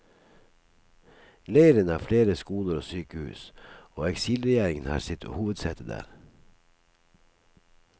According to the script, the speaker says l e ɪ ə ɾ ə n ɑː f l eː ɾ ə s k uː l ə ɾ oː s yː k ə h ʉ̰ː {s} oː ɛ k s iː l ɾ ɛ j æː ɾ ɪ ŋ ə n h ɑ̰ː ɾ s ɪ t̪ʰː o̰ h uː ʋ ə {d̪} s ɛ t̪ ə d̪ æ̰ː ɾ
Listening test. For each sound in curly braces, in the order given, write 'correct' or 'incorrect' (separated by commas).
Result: correct, correct